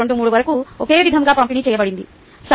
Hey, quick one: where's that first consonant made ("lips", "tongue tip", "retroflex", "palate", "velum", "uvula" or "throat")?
retroflex